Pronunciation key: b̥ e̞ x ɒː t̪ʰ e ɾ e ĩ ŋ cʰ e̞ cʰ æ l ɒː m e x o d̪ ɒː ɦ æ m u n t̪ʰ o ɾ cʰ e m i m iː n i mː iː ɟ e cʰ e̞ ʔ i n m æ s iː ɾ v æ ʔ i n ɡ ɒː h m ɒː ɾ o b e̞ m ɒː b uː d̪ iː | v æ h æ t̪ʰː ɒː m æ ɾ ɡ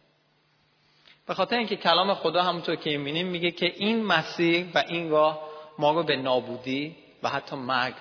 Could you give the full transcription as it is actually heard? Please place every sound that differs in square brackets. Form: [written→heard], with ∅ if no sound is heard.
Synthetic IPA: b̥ e̞ x ɒː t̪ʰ e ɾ e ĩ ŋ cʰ e̞ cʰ æ l ɒː m e x o d̪ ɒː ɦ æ m u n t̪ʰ o ɾ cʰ e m i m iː n i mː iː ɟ e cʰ e̞ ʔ i n m æ s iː ɾ v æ ʔ i n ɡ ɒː h m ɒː ɾ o b e̞ [m→n] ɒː b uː d̪ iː | v æ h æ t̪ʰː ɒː m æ ɾ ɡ